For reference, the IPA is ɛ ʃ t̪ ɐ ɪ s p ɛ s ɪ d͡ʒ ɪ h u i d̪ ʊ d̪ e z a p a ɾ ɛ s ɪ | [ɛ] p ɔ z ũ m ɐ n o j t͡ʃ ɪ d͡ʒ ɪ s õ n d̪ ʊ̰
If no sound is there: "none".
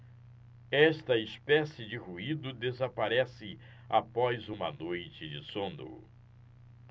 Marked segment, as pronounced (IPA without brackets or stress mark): a